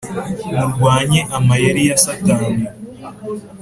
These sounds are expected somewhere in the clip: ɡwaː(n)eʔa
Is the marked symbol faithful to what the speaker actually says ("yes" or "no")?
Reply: no